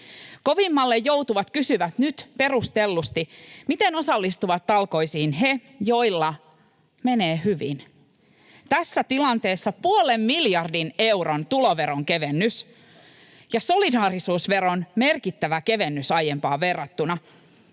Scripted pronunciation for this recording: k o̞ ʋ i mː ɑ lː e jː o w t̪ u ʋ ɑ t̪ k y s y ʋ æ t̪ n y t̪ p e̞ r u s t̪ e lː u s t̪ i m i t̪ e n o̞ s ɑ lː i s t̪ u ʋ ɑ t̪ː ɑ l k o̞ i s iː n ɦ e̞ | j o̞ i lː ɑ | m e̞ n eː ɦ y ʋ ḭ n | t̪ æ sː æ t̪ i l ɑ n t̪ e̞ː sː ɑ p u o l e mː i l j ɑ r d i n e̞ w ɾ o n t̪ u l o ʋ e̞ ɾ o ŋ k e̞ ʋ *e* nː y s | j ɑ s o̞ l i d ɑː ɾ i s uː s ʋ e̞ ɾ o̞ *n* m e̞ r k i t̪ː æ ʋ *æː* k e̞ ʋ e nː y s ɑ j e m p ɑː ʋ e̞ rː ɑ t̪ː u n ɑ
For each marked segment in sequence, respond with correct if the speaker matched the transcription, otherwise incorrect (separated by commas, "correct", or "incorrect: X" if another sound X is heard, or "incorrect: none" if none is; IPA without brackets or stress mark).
correct, correct, incorrect: æ